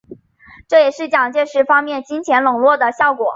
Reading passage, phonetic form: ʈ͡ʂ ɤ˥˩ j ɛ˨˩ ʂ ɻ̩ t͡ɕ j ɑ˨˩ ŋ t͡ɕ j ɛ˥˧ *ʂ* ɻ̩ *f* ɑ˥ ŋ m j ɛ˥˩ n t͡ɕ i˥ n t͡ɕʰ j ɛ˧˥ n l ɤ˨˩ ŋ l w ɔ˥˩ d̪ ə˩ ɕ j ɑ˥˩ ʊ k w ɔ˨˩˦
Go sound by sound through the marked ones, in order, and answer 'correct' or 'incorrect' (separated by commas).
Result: correct, correct